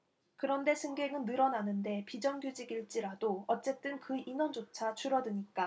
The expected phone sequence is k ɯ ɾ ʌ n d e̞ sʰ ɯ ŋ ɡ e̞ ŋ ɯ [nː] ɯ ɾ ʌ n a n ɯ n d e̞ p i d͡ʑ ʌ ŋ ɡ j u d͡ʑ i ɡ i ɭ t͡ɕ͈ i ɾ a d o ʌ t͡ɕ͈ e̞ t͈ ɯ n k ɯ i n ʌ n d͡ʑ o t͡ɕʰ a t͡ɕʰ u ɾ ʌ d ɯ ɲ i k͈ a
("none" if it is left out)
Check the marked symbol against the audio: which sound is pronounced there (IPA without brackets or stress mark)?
nː